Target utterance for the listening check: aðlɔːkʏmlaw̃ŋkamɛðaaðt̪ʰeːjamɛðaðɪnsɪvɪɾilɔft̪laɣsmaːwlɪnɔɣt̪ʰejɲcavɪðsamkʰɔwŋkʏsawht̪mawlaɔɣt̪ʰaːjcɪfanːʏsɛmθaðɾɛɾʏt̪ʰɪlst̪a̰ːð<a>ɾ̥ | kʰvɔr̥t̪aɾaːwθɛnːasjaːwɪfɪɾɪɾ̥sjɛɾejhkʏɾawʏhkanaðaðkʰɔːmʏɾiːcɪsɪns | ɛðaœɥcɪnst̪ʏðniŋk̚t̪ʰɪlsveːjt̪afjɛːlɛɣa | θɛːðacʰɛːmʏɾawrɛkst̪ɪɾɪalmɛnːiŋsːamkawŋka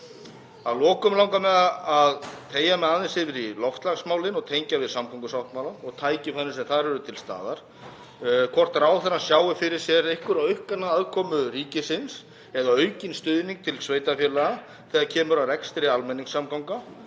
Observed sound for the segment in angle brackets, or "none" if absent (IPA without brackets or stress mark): a